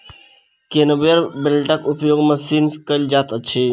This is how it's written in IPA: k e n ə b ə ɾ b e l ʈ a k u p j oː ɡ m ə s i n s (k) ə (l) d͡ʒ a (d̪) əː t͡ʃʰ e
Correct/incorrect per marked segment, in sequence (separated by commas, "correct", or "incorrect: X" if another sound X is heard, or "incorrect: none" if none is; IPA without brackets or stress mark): correct, correct, incorrect: t̪